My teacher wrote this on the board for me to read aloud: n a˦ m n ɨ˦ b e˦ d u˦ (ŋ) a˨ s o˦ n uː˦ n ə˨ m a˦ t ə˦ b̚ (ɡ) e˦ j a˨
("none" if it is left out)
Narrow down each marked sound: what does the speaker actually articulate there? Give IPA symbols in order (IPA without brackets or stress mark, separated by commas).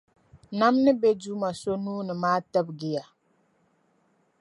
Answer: m, ɡ